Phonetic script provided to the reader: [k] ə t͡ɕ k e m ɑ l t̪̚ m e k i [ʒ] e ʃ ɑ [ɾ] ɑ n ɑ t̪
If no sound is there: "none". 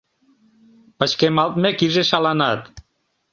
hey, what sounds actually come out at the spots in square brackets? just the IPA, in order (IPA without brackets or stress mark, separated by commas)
p, ʒ, l